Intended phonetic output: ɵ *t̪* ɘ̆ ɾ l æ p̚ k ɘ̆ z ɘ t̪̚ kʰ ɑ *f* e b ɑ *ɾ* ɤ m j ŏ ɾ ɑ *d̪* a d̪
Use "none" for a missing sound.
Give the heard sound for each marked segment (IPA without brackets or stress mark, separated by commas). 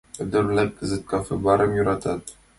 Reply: d̪, f, ɾ, t̪